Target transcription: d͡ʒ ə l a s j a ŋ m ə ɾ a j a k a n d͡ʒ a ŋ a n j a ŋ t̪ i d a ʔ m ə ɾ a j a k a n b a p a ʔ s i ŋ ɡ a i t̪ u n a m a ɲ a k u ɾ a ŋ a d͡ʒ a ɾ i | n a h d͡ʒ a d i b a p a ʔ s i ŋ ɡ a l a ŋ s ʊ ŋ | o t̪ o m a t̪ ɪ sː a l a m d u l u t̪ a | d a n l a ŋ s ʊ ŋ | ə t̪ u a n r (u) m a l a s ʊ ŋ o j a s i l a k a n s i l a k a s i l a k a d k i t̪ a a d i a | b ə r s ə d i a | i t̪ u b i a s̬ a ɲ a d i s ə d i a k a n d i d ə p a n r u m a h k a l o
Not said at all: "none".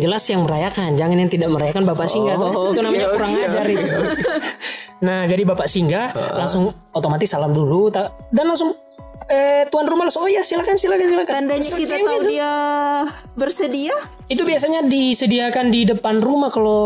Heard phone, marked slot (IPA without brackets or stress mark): u